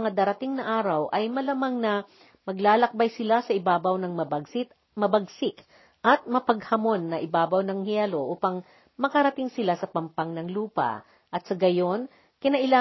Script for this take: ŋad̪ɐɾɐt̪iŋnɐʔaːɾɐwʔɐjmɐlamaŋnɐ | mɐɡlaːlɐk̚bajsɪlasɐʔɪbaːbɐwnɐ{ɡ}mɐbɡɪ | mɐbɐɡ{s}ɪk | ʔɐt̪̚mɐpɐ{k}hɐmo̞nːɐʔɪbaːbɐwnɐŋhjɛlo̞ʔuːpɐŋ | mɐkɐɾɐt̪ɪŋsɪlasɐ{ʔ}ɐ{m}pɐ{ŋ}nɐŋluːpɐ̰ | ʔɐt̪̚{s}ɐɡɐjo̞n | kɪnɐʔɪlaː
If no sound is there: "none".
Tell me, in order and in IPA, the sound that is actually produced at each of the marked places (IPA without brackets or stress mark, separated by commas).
ŋ, s, ɡ, p, m, ŋ, s